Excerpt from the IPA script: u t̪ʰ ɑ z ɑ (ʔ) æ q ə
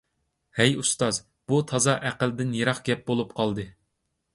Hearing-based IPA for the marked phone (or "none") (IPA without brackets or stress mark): ʔ